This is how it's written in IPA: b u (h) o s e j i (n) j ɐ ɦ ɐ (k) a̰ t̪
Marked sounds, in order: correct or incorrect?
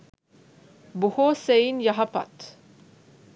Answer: correct, correct, incorrect: p

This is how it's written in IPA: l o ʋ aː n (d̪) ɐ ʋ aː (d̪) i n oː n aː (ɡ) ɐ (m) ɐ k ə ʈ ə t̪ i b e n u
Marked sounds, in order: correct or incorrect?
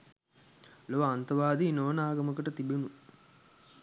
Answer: incorrect: t̪, correct, correct, correct

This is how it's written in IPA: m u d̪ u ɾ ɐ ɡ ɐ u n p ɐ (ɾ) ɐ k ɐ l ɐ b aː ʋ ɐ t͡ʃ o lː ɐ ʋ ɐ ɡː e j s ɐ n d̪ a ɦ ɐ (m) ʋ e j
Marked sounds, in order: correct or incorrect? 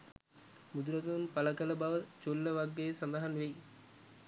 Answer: incorrect: l, incorrect: n

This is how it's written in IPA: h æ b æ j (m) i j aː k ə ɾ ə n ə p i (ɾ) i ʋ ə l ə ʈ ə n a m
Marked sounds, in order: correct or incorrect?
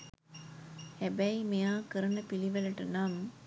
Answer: correct, incorrect: l

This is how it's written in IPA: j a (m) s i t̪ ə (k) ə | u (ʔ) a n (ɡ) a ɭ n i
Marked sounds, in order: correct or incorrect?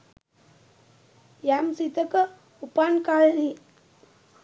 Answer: correct, correct, incorrect: p, incorrect: k

